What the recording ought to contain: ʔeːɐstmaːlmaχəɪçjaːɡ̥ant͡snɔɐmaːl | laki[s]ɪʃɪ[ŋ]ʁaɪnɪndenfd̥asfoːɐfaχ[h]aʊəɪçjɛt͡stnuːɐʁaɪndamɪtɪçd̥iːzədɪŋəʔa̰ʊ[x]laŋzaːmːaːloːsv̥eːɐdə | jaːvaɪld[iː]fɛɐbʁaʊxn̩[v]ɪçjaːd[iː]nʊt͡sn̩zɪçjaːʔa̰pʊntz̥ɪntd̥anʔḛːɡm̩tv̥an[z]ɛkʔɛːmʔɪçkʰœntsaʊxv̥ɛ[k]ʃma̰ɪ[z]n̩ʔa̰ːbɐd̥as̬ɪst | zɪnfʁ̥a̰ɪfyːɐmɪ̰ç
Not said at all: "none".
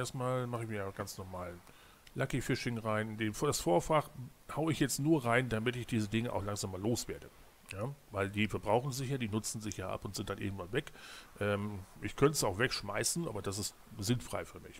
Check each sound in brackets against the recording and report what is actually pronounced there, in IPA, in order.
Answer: f, ŋ, h, x, iː, z, iː, v, k, s

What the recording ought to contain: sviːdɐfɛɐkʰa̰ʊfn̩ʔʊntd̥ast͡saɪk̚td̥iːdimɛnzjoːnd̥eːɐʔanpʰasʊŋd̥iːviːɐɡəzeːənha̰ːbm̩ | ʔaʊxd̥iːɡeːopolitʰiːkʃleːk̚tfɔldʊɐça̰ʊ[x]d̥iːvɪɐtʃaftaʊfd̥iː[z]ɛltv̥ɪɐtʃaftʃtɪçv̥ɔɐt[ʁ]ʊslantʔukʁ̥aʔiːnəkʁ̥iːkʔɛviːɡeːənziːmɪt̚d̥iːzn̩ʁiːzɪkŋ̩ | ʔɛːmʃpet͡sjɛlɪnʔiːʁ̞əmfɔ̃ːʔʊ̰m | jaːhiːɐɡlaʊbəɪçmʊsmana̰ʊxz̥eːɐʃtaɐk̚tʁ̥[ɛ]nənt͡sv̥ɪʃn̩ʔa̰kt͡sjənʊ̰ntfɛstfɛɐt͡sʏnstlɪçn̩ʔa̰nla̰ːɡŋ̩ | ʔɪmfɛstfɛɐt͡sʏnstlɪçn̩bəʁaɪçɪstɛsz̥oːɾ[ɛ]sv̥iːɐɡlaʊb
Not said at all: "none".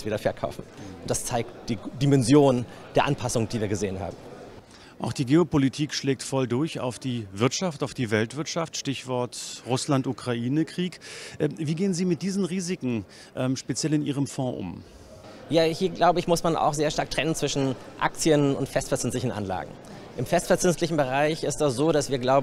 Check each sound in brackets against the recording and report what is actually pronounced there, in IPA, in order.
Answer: f, v, ʁ, ɛ, a

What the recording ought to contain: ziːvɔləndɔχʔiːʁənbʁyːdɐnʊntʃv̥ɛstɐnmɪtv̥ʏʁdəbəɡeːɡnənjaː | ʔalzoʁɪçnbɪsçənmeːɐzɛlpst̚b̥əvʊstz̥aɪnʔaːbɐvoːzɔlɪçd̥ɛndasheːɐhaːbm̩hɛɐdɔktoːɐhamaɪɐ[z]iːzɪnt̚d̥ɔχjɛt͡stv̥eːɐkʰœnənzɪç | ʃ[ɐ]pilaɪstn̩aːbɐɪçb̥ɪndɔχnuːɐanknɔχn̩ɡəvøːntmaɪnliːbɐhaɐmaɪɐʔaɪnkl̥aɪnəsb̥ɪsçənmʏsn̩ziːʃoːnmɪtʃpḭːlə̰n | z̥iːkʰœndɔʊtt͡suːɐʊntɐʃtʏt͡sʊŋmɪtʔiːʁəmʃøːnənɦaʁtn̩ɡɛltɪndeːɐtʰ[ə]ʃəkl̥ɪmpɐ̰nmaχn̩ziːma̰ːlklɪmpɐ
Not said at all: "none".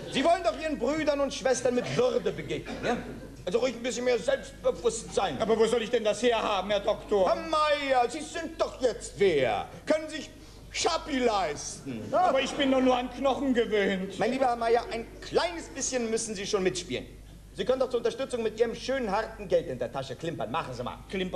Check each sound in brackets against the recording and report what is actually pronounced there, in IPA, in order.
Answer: z, a, a

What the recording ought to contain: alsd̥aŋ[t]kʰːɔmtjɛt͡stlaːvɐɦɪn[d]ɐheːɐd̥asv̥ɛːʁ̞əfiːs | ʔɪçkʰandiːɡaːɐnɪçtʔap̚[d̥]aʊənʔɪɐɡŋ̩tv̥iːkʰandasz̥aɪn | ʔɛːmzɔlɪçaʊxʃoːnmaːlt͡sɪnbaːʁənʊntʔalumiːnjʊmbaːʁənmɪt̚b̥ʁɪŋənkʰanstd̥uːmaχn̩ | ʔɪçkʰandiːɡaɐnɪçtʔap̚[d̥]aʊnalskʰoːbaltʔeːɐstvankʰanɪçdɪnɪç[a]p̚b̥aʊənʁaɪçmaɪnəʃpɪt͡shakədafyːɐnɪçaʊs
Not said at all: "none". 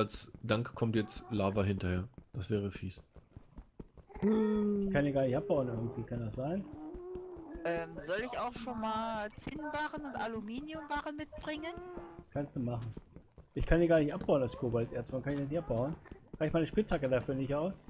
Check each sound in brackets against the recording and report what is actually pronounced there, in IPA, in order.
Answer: k, t, b̥, b̥, a

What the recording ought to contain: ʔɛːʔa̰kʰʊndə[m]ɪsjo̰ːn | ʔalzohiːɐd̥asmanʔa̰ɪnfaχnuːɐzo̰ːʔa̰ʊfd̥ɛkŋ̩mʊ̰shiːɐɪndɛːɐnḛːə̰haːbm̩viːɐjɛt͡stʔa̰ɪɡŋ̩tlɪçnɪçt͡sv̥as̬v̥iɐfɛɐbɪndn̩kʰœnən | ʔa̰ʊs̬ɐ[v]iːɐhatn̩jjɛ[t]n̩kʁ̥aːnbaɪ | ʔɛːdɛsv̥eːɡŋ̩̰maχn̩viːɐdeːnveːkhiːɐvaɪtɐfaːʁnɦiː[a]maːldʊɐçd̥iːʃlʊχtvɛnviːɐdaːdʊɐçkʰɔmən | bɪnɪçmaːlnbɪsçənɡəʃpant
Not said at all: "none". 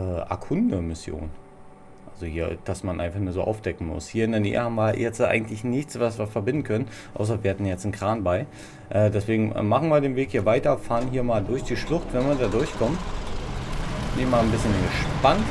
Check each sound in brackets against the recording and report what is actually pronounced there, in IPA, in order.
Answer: m, v, t͡s, ɐ

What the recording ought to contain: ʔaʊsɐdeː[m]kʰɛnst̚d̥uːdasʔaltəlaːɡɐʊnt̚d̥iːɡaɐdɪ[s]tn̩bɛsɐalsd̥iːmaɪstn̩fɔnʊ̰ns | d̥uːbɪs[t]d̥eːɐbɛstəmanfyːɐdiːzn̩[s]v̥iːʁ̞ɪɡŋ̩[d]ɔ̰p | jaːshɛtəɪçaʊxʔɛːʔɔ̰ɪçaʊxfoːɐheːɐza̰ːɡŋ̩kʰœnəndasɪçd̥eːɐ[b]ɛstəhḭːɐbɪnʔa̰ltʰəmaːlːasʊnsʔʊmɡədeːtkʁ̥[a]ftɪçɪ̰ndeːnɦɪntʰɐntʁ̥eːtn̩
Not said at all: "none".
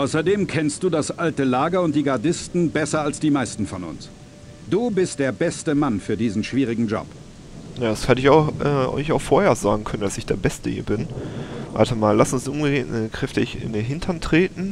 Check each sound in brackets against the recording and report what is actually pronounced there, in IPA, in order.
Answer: m, s, t, ʃ, d͡ʒ, b, ɛ

